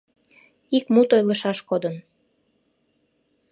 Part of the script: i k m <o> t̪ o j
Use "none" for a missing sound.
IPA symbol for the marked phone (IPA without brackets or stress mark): u